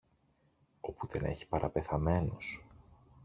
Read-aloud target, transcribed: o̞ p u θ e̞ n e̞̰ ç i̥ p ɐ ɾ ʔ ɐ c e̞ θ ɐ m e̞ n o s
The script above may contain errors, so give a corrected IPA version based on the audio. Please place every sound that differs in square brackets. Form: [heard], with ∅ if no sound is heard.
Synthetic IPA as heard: o̞ p u [ð] e̞ n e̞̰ ç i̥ p ɐ ɾ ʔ ɐ [p] e̞ θ ɐ m e̞ n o s